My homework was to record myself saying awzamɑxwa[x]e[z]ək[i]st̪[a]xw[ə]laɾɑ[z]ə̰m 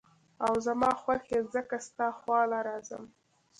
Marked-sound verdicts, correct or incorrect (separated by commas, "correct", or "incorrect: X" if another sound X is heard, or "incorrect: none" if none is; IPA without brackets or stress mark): correct, correct, incorrect: a, incorrect: ɑ, incorrect: ɑ, correct